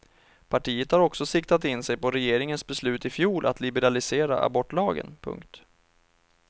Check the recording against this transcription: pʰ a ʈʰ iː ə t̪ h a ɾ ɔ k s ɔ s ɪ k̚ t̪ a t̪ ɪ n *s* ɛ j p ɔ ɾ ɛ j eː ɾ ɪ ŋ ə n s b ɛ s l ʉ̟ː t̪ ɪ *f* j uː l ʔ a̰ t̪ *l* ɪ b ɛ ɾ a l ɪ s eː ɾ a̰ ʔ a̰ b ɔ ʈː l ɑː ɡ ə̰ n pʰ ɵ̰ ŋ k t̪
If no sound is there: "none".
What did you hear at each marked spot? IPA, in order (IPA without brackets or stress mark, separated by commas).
s, f, l